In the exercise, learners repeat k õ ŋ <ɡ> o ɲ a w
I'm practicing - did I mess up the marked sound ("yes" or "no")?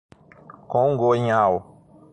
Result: no